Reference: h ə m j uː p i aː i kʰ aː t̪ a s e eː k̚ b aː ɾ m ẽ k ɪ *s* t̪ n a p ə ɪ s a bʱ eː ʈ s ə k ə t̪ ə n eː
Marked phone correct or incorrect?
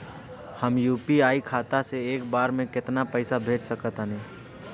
incorrect